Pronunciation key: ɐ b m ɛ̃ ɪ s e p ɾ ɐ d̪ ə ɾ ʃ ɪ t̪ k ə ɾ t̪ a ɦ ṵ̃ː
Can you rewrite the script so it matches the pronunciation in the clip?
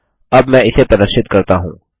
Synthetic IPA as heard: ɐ b m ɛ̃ ɪ s e p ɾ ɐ d̪ ə ɾ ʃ ɪ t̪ k ɐ ɾ t̪ a ɦ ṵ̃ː